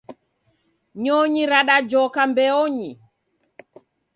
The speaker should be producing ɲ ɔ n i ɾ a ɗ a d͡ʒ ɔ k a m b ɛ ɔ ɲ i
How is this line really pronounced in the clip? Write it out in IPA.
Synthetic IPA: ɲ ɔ ɲ i ɾ a ɗ a d͡ʒ ɔ k a m b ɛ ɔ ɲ i